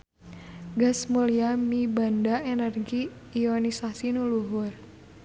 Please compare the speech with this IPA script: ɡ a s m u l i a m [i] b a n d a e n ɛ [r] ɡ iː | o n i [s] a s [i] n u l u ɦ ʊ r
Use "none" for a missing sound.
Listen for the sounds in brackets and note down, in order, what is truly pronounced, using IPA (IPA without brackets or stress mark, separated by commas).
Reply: i, r, s, i